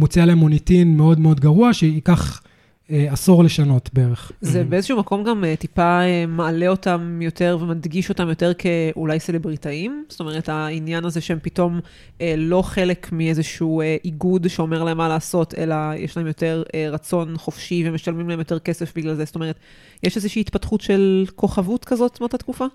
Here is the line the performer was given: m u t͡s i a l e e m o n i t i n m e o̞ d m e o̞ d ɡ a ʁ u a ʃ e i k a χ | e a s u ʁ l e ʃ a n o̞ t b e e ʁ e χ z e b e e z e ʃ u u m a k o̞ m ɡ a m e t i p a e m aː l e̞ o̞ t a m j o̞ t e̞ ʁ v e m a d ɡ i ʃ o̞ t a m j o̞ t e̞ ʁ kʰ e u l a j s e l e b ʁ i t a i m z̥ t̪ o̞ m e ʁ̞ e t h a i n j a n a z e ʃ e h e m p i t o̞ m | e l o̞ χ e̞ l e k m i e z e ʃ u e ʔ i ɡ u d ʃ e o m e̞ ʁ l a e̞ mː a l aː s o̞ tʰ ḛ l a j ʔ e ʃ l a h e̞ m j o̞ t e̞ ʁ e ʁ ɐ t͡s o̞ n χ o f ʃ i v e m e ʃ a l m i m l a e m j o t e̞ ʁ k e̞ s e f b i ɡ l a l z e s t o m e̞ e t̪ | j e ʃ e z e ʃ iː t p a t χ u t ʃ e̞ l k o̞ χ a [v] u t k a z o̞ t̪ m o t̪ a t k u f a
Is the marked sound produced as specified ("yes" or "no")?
yes